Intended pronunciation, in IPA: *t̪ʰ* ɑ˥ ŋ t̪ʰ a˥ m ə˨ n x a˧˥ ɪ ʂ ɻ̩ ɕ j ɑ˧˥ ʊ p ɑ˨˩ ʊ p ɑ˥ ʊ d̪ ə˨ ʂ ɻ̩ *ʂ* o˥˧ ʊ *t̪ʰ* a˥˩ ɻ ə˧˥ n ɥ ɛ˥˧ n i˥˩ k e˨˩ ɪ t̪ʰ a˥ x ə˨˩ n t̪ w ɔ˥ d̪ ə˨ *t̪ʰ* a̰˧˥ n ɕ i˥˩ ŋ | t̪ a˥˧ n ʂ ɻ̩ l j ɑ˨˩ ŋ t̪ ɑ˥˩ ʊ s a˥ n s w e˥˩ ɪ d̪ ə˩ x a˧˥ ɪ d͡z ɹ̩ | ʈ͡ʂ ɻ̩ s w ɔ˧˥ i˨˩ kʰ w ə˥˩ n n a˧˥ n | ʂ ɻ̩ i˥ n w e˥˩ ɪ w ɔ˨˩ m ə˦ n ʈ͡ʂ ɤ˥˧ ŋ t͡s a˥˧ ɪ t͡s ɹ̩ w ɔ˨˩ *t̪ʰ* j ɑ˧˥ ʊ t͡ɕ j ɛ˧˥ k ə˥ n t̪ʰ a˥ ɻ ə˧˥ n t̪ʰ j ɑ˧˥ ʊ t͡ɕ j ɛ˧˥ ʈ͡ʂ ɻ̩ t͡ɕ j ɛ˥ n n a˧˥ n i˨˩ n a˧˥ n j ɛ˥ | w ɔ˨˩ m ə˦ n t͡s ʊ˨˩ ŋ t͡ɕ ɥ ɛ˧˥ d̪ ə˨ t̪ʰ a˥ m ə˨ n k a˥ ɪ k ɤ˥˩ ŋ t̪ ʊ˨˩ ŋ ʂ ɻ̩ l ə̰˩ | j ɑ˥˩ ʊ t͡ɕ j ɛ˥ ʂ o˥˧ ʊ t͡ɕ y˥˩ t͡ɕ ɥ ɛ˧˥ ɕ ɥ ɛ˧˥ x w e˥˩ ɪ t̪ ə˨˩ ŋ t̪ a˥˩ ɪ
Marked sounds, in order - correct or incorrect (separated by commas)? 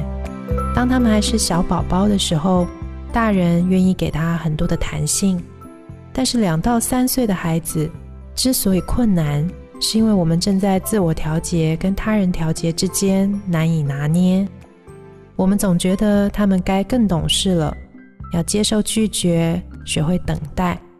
incorrect, incorrect, incorrect, correct, correct